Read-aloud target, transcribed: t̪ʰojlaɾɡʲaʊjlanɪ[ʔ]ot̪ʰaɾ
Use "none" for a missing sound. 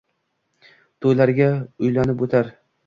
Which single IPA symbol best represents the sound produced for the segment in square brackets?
p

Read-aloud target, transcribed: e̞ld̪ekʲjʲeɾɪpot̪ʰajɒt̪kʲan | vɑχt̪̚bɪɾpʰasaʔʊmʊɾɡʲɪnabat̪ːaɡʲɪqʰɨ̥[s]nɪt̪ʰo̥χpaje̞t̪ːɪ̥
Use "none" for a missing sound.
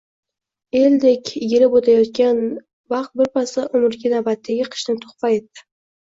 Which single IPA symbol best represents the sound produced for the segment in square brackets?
ʃ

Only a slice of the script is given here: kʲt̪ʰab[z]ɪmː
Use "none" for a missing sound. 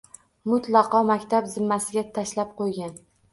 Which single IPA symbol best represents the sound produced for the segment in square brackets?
z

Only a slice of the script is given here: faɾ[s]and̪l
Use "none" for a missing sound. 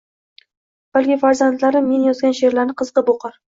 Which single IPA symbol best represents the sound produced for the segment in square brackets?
z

